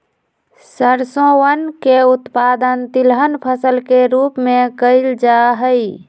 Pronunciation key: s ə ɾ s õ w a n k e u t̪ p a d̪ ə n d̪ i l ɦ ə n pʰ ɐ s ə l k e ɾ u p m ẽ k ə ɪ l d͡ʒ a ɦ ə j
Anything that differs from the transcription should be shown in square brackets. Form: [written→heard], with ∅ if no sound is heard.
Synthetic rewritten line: s ə ɾ s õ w [a→ə] n k e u t̪ p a d̪ ə n [d̪→t̪] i l ɦ ə n pʰ [ɐ→ə] s ə l k e ɾ u p m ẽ k ə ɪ l d͡ʒ a ɦ ə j